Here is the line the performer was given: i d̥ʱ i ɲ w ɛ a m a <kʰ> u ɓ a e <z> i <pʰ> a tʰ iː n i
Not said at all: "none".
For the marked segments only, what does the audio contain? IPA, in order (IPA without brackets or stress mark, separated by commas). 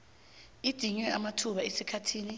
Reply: tʰ, s, kʰ